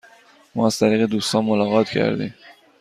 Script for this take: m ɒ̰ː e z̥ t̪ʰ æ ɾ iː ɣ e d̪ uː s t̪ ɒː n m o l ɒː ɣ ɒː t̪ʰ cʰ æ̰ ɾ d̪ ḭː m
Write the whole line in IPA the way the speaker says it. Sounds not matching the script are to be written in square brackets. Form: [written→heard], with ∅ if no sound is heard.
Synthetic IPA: m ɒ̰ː [e→æ] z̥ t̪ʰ æ ɾ iː ɣ e d̪ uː s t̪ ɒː n m o l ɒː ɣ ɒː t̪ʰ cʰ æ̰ ɾ d̪ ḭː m